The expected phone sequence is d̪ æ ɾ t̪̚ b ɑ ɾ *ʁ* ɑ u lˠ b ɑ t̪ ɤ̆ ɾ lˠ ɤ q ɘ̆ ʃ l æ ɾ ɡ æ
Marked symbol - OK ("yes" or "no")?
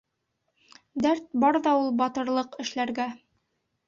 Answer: no